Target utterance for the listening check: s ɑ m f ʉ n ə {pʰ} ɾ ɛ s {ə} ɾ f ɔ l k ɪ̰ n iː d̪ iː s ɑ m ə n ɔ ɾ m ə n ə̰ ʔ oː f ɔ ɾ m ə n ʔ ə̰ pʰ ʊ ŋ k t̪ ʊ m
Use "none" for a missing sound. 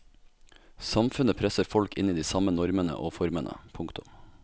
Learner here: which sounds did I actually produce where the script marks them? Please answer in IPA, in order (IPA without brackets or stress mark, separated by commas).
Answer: pʰ, ə